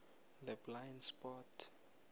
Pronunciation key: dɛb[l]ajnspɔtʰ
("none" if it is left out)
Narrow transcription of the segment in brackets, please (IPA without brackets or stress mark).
l